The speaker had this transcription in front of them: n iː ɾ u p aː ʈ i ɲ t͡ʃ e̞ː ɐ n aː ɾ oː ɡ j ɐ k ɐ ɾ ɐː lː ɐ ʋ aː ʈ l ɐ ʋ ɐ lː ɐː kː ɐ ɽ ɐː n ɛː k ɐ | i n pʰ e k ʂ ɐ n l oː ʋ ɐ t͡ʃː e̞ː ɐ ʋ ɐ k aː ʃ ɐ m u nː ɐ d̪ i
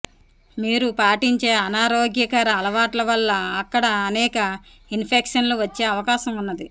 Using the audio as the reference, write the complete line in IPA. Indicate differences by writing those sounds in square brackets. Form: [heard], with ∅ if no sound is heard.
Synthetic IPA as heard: [m] iː ɾ u p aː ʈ i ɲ t͡ʃ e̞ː ɐ n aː ɾ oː ɡ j ɐ k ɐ ɾ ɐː [l] ɐ ʋ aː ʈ l ɐ ʋ ɐ lː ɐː kː ɐ ɽ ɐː n ɛː k ɐ | i n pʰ e k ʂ ɐ n l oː ʋ ɐ t͡ʃː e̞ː ɐ ʋ ɐ k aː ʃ ɐ m u nː ɐ d̪ i